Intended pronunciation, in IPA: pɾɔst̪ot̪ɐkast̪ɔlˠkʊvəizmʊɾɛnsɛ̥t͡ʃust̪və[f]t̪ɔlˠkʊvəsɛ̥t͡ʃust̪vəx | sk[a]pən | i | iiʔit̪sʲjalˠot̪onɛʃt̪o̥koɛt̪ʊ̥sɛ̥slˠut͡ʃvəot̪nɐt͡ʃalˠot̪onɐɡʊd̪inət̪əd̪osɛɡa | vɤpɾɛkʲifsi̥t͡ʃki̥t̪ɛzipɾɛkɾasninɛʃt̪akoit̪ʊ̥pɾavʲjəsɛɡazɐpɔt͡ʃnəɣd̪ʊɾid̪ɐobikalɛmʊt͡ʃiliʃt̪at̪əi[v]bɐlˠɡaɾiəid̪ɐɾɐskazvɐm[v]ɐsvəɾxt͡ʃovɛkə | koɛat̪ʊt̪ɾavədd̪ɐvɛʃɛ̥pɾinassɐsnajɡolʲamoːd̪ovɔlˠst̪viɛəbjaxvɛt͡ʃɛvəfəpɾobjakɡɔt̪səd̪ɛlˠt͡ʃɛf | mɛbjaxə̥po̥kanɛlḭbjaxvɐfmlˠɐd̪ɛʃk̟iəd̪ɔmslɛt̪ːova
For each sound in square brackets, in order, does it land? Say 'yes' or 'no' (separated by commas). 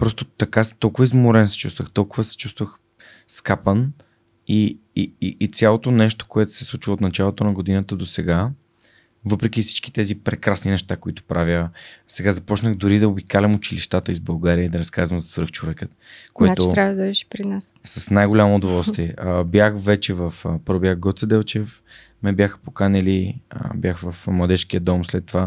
no, yes, no, no